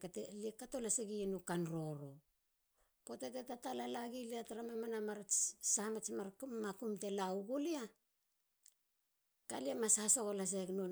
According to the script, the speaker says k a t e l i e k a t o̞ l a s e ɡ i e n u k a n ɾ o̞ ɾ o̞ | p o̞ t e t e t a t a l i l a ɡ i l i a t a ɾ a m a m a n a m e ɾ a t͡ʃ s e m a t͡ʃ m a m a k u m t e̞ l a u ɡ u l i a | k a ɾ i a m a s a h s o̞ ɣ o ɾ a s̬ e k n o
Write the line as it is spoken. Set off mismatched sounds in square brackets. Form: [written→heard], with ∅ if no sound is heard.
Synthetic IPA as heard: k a t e l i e k a t o̞ l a s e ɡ i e n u k a n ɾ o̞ ɾ o̞ | p o̞ t e t e t a t a l [i→a] l a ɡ i l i a t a ɾ a m a m a n a m [e→a] ɾ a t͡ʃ s [e→a] m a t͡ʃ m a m a k u m t e̞ l a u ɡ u l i a | k a [ɾ→l] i a m a s a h s o̞ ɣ o [ɾ→l] a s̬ e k n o